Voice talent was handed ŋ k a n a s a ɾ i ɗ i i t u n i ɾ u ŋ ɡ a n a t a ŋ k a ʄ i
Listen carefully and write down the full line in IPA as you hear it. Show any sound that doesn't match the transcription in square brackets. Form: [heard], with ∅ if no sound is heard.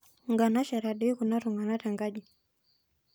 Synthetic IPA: ŋ [ɡ] a n a [ʃ] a ɾ [a] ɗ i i [k] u n [a] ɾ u ŋ ɡ a n a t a ŋ [ɡ] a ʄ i

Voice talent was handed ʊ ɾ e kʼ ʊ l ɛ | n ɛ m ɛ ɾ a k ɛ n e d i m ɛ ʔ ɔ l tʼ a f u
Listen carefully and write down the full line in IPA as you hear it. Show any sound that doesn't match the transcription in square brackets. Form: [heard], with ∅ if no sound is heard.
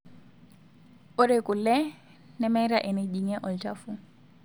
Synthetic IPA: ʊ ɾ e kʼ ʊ l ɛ | n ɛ m ɛ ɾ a [ʔ] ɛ n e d i [ŋ] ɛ ʔ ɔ l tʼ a f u

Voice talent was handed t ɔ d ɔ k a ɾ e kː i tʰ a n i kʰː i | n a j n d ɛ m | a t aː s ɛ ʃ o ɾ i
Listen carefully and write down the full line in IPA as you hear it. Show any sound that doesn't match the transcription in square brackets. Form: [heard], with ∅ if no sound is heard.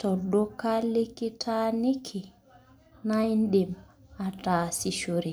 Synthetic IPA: t ɔ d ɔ k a [l] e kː i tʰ a n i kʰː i | n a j n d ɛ m | a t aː s [i] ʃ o ɾ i

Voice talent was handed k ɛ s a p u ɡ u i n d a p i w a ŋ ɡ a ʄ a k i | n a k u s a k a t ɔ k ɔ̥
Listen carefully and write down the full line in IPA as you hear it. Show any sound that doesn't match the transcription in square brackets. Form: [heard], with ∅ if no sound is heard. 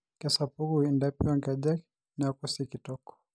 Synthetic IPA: k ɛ s a p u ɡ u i n d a p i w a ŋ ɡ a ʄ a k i | n a k u s [i] k [i] t ɔ k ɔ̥

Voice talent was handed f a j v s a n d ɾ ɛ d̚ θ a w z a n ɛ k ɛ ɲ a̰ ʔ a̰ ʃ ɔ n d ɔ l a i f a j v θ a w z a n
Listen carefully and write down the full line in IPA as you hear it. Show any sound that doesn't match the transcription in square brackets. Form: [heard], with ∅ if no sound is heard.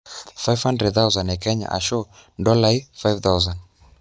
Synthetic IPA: f a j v [h] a n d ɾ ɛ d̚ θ a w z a n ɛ k ɛ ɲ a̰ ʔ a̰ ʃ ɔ n d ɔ l a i f a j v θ a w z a n

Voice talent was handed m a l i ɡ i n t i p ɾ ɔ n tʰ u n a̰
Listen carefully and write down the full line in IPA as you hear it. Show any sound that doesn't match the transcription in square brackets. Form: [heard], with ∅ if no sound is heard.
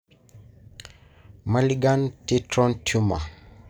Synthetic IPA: m a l i ɡ [a] n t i [t] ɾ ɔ n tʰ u [m] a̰

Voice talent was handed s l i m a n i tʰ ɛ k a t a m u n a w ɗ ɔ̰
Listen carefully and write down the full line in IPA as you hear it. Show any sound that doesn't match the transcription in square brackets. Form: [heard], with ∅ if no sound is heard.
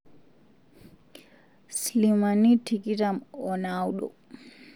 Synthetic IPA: s l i m a n i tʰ [i] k [i] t a m [ɔ] n a w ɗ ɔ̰

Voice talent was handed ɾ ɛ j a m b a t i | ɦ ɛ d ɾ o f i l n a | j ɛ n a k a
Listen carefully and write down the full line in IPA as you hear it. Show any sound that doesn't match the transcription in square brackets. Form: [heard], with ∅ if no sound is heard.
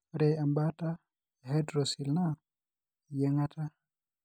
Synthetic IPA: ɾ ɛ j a m b a t [a] | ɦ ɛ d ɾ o [s] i l n a | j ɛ [ŋ] a [t] a

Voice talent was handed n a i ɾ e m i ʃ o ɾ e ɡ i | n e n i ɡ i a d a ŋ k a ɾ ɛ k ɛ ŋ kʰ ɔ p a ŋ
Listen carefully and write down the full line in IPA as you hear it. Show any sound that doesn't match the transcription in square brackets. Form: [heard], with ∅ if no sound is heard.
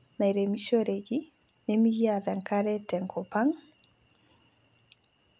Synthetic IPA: n a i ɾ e m i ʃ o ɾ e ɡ i | n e [m] i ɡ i a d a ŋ k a ɾ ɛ [t] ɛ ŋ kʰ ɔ p a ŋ

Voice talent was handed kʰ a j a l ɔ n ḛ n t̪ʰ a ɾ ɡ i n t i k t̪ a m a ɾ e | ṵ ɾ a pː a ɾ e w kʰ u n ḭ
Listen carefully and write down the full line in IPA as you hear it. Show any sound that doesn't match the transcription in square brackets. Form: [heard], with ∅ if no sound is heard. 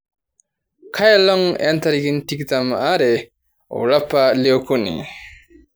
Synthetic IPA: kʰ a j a l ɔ [ŋ] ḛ n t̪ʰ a ɾ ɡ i n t i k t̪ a m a ɾ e | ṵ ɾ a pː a [l] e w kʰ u n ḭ

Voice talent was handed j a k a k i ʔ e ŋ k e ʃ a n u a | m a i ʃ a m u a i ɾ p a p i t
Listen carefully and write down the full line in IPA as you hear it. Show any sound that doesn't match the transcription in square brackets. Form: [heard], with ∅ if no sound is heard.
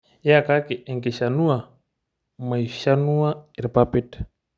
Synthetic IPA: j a k a k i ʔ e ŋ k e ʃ a n u a | m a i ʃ a [n] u a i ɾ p a p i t

